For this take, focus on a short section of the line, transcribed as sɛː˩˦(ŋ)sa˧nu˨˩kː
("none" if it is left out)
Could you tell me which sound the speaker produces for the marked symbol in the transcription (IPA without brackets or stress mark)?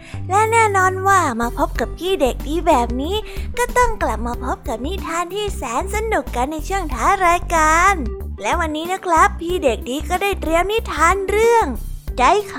n